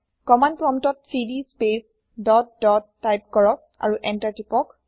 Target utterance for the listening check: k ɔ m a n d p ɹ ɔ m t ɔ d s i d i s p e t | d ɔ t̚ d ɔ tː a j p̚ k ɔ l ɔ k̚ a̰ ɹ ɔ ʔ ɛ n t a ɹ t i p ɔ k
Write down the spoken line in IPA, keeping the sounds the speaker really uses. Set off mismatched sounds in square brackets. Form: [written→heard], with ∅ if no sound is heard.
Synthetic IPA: k ɔ m a n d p ɹ ɔ m t ɔ [d→t] s i d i s p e [t→s] | d ɔ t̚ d ɔ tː a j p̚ k ɔ [l→ɹ] ɔ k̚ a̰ ɹ [ɔ→u] ʔ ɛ n t a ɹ t i p ɔ k